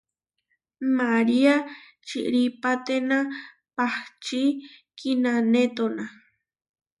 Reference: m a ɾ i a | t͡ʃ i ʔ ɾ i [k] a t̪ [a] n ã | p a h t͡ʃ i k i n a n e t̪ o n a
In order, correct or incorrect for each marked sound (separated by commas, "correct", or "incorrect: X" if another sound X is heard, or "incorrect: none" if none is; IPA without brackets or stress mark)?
incorrect: p, incorrect: e